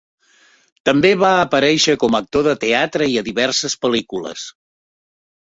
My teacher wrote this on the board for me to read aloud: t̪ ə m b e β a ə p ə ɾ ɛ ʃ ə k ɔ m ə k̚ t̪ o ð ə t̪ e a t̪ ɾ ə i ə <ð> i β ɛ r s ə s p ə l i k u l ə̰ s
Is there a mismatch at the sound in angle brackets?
no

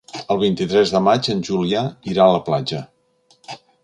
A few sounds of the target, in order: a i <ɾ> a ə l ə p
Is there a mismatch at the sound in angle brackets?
no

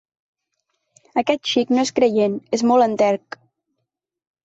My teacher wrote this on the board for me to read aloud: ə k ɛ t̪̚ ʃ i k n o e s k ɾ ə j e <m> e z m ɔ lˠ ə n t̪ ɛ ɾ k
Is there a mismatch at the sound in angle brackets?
yes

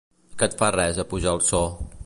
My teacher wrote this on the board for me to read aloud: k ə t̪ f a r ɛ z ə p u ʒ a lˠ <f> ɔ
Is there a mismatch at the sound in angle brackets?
yes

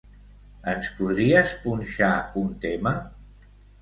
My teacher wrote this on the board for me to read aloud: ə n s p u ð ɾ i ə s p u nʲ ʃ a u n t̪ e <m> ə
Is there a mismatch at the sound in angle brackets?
no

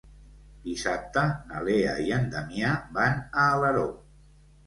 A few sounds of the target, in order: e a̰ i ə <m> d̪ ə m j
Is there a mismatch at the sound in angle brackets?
yes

